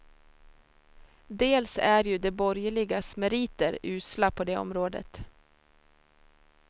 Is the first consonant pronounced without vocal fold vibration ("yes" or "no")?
no